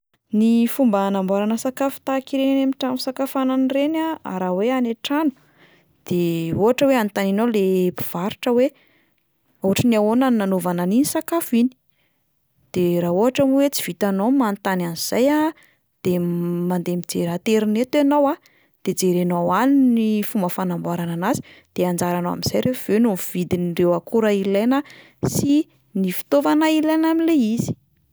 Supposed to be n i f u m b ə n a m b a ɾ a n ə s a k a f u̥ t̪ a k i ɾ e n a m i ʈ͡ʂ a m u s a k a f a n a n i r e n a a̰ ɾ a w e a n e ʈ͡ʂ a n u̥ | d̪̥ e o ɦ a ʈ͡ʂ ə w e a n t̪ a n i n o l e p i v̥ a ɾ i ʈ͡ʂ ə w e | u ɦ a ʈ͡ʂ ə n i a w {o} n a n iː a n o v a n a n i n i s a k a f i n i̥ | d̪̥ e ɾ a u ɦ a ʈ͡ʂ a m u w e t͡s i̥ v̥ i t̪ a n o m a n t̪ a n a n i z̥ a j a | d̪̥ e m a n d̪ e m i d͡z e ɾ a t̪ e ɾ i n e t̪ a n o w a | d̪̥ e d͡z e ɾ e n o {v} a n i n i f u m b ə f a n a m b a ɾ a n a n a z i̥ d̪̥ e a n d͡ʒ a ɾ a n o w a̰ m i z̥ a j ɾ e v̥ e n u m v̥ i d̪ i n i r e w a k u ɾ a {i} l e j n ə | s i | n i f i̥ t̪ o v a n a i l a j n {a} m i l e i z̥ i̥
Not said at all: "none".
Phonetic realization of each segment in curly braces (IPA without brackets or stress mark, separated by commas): o, w, i, a